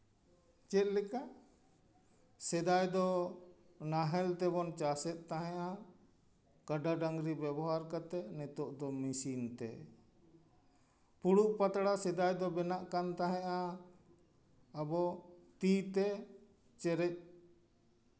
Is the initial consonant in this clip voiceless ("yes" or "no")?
yes